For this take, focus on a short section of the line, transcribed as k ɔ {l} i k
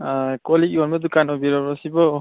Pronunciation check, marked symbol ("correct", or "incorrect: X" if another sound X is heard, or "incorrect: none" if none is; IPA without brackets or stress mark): correct